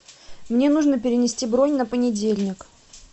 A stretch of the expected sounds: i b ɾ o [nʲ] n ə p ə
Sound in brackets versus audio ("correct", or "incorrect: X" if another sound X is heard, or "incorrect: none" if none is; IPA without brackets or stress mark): correct